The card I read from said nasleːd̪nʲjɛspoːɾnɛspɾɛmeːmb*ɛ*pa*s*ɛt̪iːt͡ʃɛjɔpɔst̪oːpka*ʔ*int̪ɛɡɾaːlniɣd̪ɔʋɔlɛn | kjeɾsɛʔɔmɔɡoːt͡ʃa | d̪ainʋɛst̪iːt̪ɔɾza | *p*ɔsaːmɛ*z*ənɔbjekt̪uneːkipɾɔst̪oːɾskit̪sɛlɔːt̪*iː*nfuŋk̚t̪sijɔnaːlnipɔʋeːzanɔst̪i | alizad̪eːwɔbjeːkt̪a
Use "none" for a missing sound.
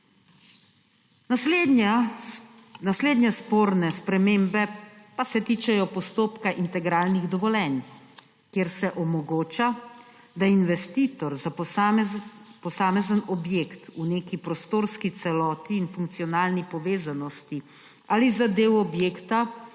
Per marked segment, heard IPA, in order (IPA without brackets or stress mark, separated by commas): ɛ, s, ʔ, p, z, iː